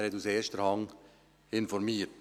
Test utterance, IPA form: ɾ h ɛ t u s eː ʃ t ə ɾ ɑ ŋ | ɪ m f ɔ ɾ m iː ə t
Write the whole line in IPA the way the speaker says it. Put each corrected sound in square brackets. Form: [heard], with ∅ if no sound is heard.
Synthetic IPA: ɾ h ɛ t u s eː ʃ t ə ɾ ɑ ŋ | ɪ [n] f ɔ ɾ m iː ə t